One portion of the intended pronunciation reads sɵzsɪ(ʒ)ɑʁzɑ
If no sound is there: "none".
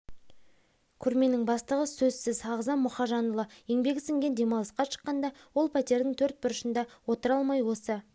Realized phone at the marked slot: z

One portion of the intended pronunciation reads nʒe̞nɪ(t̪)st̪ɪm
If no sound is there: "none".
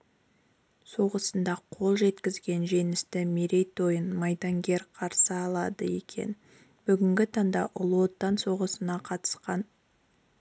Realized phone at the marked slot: none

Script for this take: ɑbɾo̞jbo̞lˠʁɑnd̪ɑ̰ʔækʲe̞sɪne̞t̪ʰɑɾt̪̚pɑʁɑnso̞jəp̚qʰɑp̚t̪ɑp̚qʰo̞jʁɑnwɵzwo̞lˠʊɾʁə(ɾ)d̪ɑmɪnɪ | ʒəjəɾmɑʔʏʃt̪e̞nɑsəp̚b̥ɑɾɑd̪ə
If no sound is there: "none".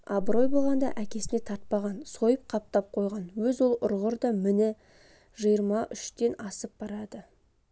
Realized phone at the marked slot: ɾ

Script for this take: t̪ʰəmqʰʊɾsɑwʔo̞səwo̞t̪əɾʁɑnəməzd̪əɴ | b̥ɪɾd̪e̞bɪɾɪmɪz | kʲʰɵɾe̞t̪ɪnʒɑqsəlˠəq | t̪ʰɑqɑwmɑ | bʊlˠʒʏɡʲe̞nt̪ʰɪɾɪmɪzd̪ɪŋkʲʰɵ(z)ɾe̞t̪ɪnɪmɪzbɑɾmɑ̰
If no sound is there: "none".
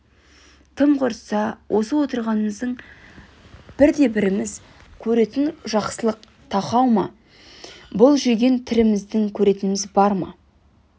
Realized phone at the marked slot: none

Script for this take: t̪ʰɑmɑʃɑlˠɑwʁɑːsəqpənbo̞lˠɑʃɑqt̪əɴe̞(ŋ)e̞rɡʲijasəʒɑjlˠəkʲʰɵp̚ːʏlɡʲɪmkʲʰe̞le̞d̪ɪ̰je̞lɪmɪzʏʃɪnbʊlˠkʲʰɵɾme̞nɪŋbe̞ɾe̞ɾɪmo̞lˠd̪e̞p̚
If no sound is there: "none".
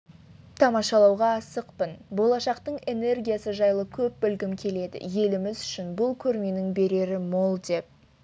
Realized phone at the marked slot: n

